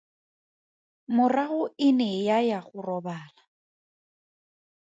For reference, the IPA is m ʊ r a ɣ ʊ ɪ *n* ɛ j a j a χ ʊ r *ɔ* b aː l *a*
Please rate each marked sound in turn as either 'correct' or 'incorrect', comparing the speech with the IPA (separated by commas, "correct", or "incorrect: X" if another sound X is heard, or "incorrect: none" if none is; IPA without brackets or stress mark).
correct, correct, correct